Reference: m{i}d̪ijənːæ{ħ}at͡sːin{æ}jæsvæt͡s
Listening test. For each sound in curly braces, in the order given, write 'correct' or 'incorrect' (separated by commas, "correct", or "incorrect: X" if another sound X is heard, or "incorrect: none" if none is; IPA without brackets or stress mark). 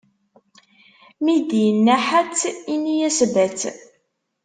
correct, correct, incorrect: i